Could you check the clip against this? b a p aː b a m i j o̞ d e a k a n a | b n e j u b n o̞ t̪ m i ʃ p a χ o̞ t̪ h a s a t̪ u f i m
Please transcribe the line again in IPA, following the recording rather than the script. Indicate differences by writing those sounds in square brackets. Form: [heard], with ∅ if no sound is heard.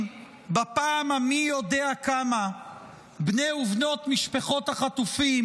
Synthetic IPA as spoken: b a p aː [m] a m i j o̞ d e a k a [m] a | b n e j u [v] n o̞ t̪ m i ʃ p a χ o̞ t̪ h a [χ] a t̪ u f i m